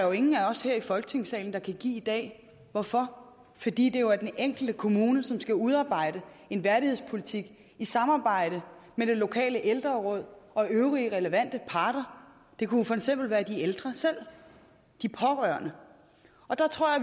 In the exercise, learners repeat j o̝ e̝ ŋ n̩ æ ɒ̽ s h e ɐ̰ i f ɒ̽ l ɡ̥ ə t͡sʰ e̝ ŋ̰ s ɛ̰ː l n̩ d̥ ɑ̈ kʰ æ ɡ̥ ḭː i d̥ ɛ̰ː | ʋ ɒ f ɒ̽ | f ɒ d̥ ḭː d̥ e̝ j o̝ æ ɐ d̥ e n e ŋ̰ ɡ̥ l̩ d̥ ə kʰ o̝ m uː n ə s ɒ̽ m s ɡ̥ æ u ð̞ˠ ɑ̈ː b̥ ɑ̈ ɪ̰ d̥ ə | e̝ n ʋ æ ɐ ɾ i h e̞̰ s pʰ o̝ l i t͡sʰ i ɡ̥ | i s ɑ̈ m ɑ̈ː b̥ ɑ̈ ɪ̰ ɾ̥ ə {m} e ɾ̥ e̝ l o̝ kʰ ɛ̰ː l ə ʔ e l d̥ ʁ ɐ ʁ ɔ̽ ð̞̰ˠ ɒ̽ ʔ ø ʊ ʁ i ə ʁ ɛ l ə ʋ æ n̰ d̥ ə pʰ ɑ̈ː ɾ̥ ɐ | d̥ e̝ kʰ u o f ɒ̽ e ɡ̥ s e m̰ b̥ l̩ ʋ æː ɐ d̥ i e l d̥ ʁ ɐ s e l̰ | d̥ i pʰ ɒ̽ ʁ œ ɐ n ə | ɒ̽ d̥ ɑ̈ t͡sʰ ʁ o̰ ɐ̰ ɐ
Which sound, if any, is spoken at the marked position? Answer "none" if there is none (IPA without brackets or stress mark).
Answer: m